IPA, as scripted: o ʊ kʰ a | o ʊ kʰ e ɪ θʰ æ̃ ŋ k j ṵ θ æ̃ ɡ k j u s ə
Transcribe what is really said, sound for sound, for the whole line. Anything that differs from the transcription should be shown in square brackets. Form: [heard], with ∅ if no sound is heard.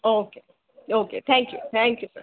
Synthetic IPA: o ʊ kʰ [e] | o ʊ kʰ e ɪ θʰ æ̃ ŋ k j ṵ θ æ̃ [ŋ] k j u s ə